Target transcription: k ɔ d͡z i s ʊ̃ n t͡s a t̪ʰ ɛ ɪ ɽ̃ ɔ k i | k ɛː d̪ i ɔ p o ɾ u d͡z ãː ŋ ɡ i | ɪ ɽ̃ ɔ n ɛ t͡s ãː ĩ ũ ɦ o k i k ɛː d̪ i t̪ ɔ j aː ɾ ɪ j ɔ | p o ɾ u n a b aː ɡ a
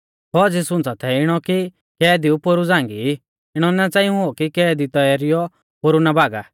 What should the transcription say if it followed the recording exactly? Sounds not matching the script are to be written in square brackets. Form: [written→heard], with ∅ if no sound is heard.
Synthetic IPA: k ɔ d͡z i s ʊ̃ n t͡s a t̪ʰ ɛ ɪ ɽ̃ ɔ k i | k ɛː d̪ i [ɔ→u] p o ɾ u d͡z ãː ŋ ɡ i | ɪ ɽ̃ ɔ n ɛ t͡s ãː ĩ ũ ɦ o k i k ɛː d̪ i t̪ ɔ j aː ɾ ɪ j ɔ | p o ɾ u n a b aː ɡ a